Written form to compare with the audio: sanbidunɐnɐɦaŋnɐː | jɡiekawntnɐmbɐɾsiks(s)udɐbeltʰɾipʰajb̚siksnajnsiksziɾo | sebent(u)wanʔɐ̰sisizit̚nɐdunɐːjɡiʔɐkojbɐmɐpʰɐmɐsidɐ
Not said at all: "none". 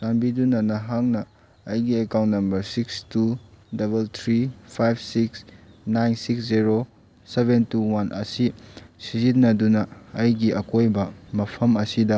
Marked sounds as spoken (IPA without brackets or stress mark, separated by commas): t, u